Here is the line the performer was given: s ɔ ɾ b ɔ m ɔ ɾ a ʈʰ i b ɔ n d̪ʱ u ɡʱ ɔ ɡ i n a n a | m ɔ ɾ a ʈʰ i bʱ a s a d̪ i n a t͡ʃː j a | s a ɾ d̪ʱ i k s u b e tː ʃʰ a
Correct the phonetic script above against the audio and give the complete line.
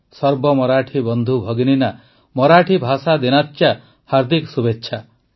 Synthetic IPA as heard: s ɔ ɾ b ɔ m ɔ ɾ a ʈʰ i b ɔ n d̪ʱ u bʱ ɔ ɡ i n i n a | m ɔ ɾ a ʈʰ i bʱ a s a d̪ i n a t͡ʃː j a | h a ɾ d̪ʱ i k s u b e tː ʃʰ a